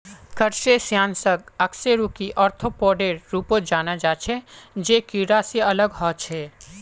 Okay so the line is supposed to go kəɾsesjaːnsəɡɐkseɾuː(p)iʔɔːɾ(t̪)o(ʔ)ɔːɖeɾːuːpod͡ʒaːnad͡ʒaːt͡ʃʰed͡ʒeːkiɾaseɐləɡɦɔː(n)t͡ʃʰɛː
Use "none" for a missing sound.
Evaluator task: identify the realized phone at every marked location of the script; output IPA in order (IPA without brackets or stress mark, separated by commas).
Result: k, t̪ʰ, p, none